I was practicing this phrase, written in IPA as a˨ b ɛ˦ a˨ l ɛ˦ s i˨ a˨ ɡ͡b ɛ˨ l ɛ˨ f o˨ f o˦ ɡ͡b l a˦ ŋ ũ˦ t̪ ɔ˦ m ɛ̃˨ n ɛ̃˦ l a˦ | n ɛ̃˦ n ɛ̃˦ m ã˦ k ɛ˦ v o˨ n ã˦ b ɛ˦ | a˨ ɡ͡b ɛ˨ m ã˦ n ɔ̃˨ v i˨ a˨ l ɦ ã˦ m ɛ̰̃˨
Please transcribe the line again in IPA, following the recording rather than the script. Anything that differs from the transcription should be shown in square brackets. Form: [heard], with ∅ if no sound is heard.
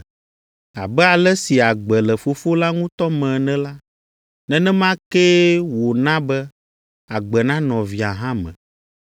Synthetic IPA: a˨ b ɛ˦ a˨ l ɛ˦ s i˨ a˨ ɡ͡b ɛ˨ l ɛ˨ f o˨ f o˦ [∅] l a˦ ŋ ũ˦ t̪ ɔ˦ m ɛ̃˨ n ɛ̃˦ l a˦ | n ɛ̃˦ n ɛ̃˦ m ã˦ k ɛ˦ [w] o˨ n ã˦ b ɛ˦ | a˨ ɡ͡b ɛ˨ [n] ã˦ n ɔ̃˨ v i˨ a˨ [∅] ɦ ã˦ m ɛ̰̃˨